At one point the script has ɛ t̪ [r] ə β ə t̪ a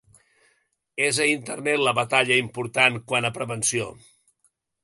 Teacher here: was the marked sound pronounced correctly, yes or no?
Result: no